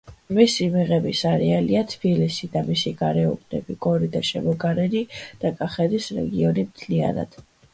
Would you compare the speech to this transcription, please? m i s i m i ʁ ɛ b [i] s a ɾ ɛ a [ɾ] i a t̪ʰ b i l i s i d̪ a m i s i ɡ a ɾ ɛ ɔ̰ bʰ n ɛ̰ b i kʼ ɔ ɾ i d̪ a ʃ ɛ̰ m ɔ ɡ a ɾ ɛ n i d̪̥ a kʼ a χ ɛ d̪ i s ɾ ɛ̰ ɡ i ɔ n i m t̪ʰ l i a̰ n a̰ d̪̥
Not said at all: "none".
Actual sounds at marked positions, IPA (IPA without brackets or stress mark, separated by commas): i, l